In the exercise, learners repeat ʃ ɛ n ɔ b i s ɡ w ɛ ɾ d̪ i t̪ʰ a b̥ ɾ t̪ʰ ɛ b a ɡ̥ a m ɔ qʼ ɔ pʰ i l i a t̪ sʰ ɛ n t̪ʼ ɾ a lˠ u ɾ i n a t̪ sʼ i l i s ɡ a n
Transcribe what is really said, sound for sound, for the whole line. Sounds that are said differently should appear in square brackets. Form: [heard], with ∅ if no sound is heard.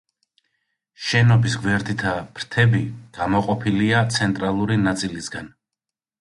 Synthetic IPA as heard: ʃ ɛ n ɔ b i s ɡ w ɛ ɾ d̪ i t̪ʰ a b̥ ɾ t̪ʰ ɛ b [i] ɡ̥ a m ɔ qʼ ɔ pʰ i l i a t̪ sʰ ɛ n t̪ʼ ɾ a lˠ u ɾ i n a t̪ sʼ i l i s ɡ a n